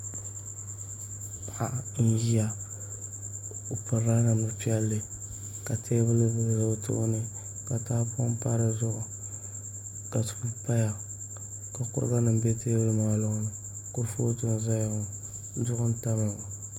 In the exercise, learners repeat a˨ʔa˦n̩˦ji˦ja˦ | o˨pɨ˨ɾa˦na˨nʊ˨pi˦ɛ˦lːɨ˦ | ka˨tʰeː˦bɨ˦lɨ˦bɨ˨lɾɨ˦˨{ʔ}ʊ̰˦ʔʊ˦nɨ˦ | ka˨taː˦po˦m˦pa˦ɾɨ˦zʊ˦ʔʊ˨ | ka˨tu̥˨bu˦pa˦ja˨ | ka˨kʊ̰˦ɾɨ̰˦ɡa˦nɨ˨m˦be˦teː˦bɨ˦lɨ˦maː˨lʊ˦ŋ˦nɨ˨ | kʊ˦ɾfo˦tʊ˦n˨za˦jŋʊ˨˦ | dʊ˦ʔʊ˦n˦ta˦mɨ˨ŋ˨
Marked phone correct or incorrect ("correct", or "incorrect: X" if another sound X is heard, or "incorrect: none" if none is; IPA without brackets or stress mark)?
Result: incorrect: t